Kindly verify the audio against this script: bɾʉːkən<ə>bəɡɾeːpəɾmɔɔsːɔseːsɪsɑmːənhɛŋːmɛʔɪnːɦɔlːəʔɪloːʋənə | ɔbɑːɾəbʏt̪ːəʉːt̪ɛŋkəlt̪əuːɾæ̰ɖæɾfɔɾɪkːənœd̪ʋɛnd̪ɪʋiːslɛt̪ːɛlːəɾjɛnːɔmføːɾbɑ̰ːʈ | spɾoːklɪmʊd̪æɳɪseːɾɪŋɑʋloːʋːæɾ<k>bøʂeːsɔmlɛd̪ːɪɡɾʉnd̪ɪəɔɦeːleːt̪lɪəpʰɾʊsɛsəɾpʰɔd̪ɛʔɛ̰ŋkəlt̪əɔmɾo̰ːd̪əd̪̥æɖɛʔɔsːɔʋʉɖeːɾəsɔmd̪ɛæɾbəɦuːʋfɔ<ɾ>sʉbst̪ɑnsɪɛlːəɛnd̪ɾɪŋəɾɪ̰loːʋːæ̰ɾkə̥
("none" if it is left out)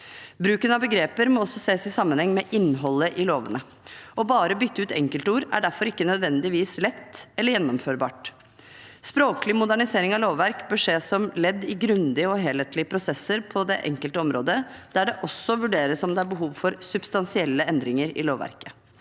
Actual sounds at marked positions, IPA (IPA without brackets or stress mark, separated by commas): ɑ, k, ɾ